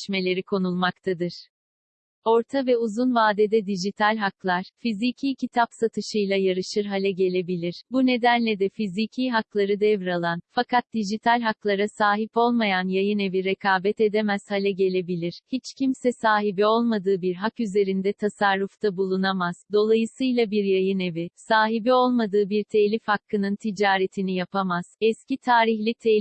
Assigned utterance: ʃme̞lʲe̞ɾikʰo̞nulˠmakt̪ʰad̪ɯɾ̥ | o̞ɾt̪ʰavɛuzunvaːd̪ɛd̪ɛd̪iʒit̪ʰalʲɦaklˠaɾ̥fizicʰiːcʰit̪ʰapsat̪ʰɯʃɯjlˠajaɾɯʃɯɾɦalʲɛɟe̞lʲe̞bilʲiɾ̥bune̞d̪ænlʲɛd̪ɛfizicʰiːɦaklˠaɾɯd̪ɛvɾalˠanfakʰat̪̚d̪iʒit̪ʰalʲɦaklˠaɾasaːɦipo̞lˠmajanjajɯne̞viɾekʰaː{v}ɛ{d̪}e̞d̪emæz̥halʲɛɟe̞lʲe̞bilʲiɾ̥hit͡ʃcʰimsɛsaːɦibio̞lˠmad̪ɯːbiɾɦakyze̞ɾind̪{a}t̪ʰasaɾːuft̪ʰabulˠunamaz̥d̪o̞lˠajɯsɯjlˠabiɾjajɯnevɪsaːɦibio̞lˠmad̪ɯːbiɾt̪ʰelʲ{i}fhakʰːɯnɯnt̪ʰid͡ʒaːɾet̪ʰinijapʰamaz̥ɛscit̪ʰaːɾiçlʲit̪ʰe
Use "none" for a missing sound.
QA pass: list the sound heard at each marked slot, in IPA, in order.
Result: b, t̪, ɛ, i

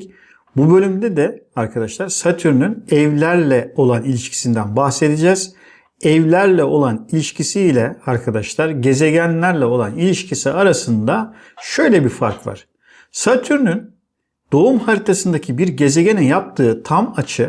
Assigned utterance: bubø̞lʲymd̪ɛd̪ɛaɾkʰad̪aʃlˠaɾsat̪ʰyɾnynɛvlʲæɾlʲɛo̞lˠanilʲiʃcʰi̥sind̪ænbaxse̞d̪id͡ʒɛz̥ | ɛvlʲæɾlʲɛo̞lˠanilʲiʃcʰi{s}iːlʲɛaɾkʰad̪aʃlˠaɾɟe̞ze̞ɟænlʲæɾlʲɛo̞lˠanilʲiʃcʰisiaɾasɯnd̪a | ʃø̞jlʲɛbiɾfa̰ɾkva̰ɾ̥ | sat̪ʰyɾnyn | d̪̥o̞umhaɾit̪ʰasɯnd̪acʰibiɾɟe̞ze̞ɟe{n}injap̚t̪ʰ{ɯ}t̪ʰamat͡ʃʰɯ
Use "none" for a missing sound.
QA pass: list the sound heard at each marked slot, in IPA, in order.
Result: s, n, ɯː

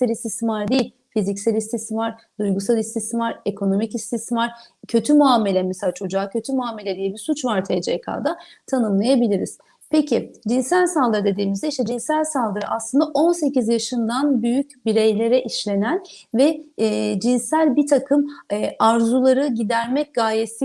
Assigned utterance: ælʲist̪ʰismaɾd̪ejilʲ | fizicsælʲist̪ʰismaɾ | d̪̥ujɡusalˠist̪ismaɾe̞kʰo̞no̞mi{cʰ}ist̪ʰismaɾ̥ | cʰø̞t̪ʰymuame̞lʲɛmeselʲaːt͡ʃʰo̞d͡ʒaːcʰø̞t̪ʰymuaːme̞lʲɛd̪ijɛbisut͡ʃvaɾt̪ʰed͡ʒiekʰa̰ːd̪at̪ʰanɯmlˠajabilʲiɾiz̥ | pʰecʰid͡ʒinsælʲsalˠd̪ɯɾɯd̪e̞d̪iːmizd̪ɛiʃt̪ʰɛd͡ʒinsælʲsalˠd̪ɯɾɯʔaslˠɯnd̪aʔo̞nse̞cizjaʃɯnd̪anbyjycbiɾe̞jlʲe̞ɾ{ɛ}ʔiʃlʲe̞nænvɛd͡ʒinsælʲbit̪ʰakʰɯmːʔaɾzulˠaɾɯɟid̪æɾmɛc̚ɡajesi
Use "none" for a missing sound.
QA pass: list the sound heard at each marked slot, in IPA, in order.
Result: c, ɛ

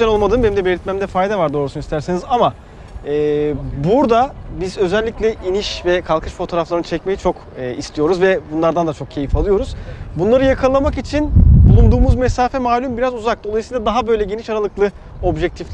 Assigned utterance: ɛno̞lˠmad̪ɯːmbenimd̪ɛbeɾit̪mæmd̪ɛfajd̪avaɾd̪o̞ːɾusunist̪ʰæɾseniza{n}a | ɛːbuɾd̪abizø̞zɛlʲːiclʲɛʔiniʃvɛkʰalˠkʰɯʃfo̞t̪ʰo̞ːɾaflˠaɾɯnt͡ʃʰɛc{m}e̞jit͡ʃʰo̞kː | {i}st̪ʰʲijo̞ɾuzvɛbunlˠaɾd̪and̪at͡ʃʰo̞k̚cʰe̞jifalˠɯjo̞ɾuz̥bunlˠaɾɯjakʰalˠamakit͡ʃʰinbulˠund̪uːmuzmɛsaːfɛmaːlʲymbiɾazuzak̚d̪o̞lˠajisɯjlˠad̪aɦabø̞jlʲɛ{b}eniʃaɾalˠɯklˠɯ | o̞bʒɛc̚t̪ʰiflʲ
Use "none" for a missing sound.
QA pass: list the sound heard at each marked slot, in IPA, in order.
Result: m, m, i, ɟ

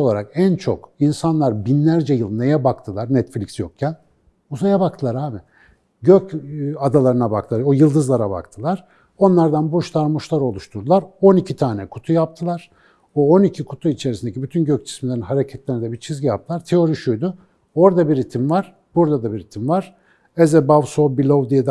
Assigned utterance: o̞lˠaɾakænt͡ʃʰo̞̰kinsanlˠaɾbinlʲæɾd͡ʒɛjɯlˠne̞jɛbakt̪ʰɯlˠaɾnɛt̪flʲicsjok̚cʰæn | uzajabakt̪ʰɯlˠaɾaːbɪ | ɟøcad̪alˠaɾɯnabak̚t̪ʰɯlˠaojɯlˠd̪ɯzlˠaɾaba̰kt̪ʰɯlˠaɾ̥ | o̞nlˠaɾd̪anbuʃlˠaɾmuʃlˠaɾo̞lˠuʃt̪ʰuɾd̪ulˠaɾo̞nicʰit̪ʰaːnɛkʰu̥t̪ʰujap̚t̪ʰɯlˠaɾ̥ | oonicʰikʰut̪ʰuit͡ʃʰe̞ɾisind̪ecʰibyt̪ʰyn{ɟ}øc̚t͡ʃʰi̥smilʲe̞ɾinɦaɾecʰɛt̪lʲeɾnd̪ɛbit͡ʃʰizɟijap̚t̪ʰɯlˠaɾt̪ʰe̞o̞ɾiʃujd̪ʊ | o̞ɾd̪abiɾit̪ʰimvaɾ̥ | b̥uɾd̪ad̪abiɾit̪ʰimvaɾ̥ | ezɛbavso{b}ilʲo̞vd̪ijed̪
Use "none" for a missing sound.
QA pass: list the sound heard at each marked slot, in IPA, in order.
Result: ɟ, b

